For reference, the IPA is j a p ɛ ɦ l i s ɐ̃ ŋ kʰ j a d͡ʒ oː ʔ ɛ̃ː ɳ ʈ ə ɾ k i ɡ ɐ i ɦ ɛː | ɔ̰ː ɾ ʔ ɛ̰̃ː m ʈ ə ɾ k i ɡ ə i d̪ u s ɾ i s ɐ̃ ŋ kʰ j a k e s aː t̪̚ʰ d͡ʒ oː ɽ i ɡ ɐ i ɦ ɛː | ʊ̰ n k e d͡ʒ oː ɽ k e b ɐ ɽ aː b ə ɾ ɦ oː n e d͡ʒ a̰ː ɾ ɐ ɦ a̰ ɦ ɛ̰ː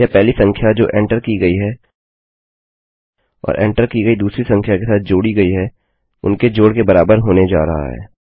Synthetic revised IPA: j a p ɛ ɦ l i s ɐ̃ ŋ kʰ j a d͡ʒ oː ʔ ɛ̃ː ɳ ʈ ə ɾ k i ɡ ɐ i ɦ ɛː | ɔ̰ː ɾ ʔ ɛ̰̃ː ɳ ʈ ə ɾ k i ɡ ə i d̪ uː s ɾ i s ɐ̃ ŋ kʰ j a k e s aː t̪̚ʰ d͡ʒ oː ɽ i ɡ ɐ i ɦ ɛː | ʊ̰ n k e d͡ʒ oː ɽ k e b ɐ ɾ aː b ə ɾ ɦ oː n e d͡ʒ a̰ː ɾ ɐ ɦ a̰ ɦ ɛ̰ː